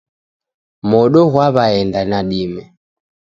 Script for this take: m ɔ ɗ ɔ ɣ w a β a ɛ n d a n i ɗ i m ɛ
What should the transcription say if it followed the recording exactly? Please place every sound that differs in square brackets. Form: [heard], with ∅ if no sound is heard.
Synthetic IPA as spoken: m ɔ ɗ ɔ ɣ w a β a ɛ n d a n [a] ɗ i m ɛ